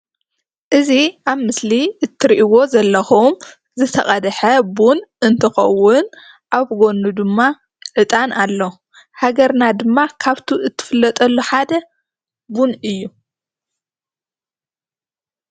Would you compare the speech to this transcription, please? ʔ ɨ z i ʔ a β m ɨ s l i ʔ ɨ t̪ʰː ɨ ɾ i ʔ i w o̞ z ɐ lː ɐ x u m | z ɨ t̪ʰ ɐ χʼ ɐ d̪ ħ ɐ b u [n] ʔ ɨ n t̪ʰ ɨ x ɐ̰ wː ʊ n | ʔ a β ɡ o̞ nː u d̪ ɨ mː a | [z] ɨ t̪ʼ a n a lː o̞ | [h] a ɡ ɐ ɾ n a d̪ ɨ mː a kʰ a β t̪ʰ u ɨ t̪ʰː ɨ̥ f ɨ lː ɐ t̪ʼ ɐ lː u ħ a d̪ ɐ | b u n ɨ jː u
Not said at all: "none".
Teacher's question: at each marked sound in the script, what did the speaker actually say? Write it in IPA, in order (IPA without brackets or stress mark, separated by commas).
n, ʕ, h